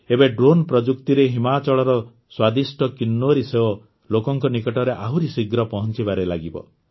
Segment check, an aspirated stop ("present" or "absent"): absent